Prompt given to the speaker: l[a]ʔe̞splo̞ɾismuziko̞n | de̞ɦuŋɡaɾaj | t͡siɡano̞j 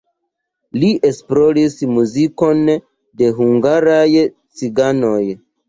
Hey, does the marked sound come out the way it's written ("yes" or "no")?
no